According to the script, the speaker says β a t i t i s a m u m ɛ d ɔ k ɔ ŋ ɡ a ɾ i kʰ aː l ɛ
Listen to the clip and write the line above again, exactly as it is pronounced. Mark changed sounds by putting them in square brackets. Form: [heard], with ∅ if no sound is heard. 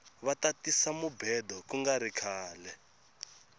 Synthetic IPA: β a t [a] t i s a m u [b] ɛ d ɔ k [u] ŋ ɡ a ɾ i kʰ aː l ɛ